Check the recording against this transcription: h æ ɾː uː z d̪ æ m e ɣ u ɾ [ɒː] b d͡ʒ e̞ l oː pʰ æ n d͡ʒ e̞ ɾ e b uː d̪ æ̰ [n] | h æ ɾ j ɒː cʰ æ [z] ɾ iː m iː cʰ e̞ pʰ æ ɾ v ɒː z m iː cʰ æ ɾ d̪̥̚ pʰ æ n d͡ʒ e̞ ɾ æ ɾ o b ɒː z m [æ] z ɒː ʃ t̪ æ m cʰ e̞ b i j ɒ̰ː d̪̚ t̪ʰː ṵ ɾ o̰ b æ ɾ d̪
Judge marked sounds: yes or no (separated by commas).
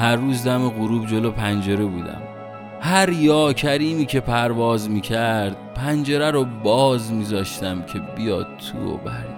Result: no, no, no, no